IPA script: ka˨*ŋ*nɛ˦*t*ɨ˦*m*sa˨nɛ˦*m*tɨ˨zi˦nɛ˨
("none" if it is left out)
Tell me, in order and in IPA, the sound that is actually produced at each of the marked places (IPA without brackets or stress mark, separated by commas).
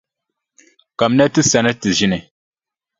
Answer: m, t, none, none